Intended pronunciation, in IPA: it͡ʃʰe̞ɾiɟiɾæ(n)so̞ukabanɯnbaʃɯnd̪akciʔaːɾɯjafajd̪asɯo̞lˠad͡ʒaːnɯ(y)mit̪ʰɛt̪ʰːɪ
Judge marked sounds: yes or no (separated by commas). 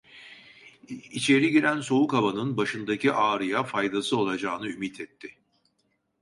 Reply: yes, yes